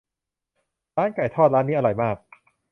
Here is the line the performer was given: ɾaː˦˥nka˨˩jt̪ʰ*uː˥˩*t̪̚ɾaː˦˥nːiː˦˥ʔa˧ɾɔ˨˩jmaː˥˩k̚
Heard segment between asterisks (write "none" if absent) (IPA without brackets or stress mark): ɔː˥˩